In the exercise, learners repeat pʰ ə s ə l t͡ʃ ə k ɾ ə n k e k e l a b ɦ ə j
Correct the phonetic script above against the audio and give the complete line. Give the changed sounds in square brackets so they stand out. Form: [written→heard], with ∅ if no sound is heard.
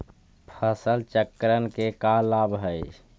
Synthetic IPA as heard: pʰ ə s ə l t͡ʃ ə k ɾ ə n k e k [e→a] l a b ɦ ə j